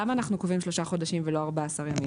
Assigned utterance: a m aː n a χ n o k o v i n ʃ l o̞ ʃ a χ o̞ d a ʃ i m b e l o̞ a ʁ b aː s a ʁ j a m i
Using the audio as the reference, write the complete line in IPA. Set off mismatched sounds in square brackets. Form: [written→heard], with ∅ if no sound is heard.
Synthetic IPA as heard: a m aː n a χ n [o→u] k o v i [n→m] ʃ l o̞ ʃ a χ o̞ d a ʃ i m [b→v] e l o̞ a ʁ b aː s a ʁ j a m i